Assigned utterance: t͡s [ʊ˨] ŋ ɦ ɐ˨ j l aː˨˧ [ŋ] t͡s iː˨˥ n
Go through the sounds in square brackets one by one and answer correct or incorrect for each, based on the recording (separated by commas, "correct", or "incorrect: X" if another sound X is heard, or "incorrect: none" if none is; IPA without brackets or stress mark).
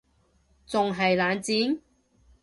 correct, incorrect: n